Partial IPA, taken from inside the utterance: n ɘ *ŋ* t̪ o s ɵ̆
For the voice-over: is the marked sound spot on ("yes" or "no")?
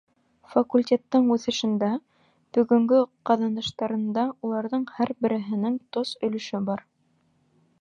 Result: yes